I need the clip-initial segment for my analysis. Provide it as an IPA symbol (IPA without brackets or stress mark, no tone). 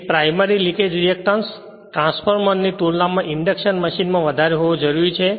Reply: p